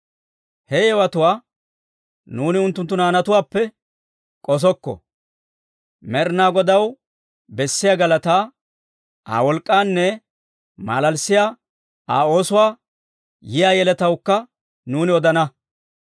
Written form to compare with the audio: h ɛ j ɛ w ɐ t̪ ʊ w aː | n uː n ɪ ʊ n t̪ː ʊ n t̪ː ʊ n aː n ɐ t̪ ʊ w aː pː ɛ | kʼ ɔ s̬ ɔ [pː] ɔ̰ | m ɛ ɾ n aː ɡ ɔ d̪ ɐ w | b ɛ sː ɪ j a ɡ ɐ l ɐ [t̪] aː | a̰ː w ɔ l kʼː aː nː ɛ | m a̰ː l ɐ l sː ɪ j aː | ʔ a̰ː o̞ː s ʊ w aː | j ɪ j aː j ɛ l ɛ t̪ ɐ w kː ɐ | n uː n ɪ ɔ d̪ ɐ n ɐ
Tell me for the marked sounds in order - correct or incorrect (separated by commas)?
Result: incorrect, correct